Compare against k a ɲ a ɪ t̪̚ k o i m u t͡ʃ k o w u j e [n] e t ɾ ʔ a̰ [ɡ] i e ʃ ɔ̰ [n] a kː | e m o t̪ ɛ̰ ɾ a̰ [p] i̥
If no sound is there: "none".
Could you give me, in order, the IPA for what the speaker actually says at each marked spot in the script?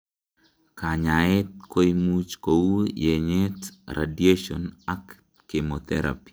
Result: ɲ, d, n, p

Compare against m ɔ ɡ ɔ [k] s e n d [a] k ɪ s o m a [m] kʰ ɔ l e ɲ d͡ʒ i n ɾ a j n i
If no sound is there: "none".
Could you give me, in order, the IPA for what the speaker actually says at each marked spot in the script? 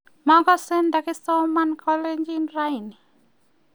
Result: none, a, n

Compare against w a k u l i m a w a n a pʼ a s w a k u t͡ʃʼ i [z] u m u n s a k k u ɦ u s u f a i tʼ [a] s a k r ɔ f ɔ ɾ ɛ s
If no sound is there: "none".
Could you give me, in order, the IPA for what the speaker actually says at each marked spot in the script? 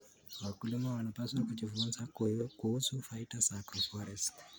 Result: v, a

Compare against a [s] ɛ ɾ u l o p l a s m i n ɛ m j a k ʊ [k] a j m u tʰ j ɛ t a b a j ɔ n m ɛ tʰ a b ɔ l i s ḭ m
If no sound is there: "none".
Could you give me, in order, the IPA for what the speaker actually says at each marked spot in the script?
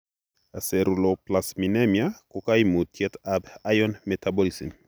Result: s, k

